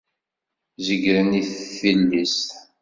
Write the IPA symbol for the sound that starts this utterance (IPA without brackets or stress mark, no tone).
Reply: z